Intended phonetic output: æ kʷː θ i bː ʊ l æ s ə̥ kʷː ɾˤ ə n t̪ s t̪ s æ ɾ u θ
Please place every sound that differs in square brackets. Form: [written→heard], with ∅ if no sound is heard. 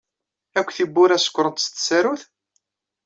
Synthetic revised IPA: æ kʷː θ i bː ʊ [l→ɾ] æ s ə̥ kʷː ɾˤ ə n t̪ s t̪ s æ ɾ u θ